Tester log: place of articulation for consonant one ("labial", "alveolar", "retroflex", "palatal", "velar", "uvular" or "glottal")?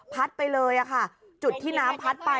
labial